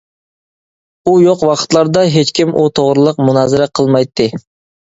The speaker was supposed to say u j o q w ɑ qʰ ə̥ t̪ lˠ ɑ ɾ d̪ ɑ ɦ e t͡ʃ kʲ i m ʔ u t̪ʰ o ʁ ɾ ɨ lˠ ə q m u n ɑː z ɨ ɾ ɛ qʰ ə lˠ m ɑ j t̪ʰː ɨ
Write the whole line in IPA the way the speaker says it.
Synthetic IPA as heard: u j o q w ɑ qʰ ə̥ t̪ lˠ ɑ ɾ d̪ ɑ ɦ e t͡ʃ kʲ i m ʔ u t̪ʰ o ʁ ɾ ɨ lˠ ə q m u n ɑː z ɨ ɾ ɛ qʰ ə lˠ m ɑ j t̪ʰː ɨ